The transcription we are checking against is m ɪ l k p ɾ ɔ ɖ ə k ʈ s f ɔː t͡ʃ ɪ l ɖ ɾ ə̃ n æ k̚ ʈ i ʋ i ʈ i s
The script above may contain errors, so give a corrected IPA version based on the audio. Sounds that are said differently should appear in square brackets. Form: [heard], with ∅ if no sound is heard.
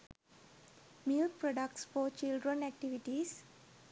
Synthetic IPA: m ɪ l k p ɾ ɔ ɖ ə k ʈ s f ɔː t͡ʃ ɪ l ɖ ɾ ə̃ n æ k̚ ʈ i ʋ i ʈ i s